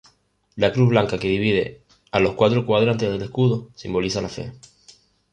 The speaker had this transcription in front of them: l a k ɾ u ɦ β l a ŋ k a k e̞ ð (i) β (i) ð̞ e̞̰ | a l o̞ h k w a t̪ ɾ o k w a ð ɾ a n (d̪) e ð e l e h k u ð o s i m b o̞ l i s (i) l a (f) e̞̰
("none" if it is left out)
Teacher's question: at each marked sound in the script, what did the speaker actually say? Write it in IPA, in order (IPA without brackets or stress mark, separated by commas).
i, i, t̪, a, f